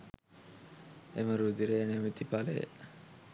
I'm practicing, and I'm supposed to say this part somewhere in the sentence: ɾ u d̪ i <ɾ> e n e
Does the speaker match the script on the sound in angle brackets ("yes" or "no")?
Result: yes